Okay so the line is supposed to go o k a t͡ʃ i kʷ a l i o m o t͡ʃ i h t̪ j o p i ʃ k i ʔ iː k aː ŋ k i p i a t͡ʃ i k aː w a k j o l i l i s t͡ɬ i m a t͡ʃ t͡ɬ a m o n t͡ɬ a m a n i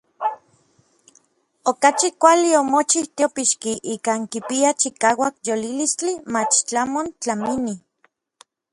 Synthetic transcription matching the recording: o k a t͡ʃ i kʷ a l i o m o t͡ʃ i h t̪ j o p i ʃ k i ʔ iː k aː ŋ k i p i a t͡ʃ i k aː w a k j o l i l i s t͡ɬ i m a t͡ʃ t͡ɬ a m o n t͡ɬ a m i n i